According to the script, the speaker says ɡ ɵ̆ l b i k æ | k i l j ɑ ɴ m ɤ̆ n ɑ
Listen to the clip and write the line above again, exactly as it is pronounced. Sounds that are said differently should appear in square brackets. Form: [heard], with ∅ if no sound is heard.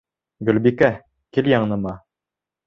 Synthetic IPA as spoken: ɡ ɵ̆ l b i k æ | k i l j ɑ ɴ [n] ɤ̆ [m] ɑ

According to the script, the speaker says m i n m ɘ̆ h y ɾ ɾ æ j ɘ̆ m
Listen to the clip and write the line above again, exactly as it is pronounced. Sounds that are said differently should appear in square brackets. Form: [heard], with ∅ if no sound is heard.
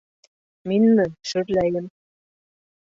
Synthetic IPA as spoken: m i n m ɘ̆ [ʃ] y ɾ [l] æ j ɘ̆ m

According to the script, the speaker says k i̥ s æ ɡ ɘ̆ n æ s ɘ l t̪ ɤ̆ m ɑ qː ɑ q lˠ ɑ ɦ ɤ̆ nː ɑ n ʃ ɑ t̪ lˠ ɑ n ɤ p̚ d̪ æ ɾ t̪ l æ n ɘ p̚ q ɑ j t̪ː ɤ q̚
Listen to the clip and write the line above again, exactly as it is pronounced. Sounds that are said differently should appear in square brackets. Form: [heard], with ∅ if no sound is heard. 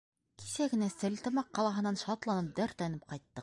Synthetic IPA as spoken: k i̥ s æ ɡ ɘ̆ n æ s ɘ l t̪ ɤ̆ m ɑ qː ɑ [∅] lˠ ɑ ɦ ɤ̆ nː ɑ n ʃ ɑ t̪ lˠ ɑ n ɤ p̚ d̪ æ ɾ t̪ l æ n ɘ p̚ q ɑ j t̪ː ɤ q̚

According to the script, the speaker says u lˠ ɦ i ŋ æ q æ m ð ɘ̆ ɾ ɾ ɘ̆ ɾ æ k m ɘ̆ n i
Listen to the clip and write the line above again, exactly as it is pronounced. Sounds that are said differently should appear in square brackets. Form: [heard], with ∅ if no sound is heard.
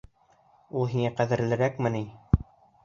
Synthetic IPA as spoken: u lˠ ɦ i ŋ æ q æ [∅] ð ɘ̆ ɾ [l] ɘ̆ ɾ æ k m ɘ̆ n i

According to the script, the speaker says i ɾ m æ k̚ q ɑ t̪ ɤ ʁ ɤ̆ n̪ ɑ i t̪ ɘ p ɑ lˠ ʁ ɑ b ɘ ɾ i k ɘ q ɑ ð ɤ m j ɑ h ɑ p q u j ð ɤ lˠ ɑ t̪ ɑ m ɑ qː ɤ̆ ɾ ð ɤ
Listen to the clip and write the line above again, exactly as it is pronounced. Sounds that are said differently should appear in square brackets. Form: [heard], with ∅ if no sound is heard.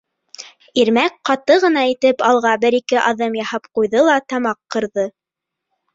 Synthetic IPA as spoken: i ɾ m æ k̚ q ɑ t̪ ɤ ʁ ɤ̆ n̪ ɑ i t̪ ɘ p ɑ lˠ ʁ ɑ b ɘ ɾ i k ɘ [ʔ] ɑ ð ɤ m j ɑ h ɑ p q u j ð ɤ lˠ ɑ t̪ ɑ m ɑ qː ɤ̆ ɾ ð ɤ

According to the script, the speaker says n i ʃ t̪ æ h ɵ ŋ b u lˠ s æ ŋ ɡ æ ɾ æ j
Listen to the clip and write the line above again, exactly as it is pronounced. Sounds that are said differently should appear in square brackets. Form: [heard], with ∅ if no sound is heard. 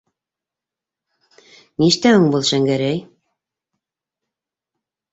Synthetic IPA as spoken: n i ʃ t̪ æ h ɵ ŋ b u lˠ [ʃ] æ ŋ ɡ æ ɾ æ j

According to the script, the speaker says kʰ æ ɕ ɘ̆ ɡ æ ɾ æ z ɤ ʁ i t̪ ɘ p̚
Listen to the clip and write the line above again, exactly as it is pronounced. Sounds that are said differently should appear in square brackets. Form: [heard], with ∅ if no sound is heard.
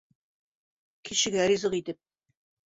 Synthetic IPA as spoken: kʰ [i] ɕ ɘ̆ ɡ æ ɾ [i] z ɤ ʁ i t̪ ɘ p̚

